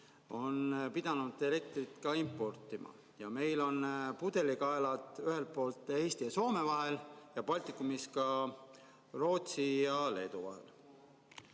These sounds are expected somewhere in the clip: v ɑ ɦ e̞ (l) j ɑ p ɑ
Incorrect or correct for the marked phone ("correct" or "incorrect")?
correct